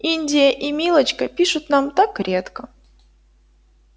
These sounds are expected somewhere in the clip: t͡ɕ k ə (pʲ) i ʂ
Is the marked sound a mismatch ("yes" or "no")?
no